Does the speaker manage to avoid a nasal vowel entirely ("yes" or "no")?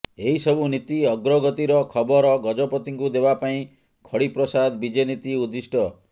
no